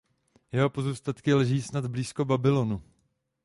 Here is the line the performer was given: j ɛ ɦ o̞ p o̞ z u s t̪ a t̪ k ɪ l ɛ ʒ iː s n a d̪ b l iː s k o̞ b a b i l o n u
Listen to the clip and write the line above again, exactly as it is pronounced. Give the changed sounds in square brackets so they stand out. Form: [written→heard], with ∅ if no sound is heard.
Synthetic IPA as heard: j ɛ ɦ o̞ p o̞ z u s t̪ a t̪ k ɪ l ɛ ʒ iː s n a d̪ b l iː s k o̞ b a b [i→ɪ] l o n u